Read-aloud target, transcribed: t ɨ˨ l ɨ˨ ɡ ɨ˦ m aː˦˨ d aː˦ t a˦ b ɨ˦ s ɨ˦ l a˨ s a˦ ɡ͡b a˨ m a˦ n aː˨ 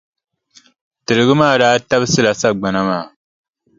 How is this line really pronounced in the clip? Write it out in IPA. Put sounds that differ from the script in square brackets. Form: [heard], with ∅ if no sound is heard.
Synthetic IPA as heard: t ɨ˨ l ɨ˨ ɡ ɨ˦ m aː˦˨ d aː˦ t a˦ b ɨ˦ s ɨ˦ l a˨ s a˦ ɡ͡b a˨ [n] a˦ [m] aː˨